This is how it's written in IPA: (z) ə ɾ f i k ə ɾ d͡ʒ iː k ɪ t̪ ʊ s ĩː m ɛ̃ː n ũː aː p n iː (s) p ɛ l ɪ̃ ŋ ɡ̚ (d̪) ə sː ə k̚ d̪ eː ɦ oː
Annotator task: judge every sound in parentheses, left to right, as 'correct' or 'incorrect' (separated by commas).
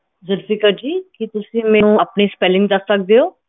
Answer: correct, correct, correct